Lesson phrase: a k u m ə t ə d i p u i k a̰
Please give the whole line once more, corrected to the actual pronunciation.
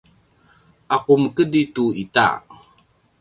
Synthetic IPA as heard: a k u m ə k ə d i t u i t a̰